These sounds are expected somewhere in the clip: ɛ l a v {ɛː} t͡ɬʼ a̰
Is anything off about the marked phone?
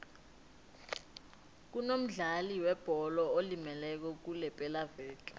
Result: no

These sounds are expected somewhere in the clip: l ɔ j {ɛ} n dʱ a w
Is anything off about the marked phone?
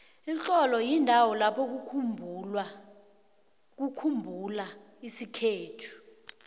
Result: yes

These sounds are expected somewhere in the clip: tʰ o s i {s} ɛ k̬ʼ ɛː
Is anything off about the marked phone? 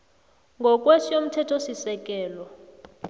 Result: no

